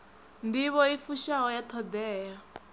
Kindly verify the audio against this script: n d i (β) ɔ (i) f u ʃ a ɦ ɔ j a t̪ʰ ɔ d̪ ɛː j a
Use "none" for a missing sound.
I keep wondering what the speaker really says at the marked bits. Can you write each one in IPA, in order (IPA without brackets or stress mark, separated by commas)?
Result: β, i